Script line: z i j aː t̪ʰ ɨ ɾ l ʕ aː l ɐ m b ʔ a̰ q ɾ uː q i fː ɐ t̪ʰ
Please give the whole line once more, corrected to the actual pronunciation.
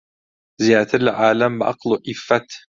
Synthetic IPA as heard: z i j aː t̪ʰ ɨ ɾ l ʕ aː l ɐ m b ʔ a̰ q l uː ʔ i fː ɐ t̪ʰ